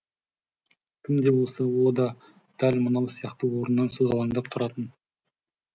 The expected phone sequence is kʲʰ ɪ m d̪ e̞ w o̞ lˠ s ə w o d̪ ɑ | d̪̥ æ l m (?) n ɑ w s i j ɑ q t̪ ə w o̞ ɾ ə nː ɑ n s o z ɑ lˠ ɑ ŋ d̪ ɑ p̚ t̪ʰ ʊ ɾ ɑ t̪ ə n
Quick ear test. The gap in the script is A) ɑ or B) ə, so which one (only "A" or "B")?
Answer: B